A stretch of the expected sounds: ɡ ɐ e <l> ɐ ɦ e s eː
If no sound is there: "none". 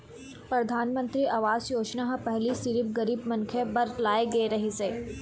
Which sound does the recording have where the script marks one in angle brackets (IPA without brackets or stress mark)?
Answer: ɾ